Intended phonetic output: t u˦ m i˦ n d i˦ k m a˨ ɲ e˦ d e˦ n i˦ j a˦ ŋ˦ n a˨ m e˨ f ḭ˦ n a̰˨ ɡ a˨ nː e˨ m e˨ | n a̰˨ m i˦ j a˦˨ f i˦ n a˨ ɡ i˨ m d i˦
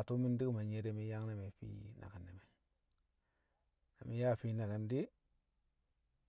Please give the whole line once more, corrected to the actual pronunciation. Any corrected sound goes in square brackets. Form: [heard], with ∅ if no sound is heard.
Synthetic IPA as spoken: t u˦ m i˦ n d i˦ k m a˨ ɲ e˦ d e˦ [m] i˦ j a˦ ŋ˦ n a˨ m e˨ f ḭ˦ n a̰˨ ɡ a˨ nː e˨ m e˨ | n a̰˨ m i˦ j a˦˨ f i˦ n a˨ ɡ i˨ [n] d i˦